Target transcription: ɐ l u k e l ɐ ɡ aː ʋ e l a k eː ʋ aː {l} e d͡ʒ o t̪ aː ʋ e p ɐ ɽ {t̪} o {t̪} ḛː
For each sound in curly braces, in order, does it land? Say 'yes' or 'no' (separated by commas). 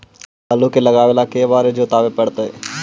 no, yes, no